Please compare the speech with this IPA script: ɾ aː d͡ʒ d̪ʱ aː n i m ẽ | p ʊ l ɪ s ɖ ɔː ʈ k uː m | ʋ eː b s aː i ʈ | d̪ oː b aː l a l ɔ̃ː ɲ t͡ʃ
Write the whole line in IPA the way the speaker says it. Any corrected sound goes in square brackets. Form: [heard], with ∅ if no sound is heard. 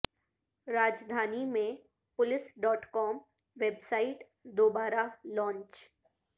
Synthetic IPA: ɾ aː d͡ʒ d̪ʱ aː n i m ẽ | p ʊ l ɪ s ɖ ɔː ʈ k [ɔː] m | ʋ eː b s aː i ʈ | d̪ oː b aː [ɾ] a l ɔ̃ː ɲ t͡ʃ